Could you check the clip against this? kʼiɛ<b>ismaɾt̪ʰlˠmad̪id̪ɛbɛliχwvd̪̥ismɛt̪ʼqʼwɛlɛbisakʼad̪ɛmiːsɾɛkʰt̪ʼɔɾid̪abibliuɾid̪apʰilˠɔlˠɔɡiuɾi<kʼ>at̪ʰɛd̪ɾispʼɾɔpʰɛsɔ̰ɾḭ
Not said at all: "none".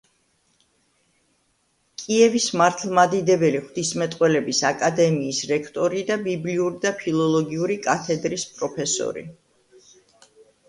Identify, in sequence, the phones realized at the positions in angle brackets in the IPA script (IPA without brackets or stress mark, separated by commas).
v, kʼ